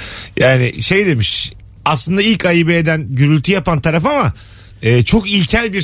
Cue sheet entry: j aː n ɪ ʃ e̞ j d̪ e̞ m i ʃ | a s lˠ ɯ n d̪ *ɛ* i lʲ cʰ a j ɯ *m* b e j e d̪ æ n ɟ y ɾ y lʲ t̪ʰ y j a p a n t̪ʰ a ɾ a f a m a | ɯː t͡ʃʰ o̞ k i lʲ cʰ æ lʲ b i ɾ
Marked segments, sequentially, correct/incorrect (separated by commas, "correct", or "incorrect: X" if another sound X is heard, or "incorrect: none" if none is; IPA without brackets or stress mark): incorrect: a, incorrect: none